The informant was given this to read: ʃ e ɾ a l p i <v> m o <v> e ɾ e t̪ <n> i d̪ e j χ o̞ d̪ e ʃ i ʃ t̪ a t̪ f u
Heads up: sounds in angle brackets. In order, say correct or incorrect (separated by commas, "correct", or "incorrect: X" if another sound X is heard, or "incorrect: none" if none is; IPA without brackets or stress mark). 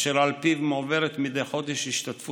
correct, correct, incorrect: m